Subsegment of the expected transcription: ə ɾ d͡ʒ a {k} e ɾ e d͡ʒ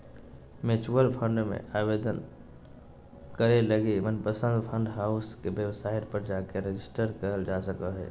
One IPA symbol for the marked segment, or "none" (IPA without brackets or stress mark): k